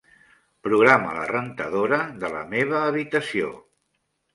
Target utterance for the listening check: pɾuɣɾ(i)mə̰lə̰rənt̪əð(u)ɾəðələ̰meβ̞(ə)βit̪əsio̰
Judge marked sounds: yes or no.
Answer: no, no, no

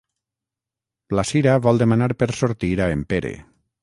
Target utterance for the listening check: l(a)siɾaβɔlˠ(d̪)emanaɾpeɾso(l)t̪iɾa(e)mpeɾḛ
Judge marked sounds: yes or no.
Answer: yes, yes, no, yes

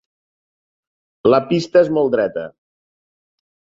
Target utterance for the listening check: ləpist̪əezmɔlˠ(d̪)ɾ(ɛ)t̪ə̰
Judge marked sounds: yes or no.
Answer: yes, yes

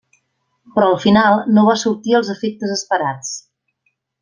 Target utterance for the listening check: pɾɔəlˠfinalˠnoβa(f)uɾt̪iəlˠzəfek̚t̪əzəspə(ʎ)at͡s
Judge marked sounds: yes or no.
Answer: no, no

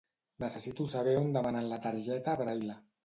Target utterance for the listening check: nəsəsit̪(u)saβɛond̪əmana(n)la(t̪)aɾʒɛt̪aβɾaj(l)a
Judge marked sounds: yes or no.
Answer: yes, yes, yes, yes

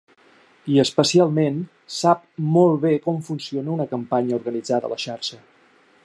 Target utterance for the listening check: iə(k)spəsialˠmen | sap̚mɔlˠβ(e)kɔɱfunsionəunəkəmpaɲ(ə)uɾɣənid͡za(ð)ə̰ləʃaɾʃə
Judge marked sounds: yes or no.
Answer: no, yes, yes, yes

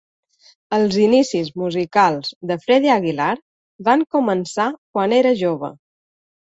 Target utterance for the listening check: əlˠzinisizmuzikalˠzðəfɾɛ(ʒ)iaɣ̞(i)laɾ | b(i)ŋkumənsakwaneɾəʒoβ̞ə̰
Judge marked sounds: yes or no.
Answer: no, yes, no

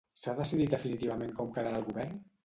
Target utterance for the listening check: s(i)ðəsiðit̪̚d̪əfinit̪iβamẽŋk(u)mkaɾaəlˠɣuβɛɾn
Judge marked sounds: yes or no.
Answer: no, no

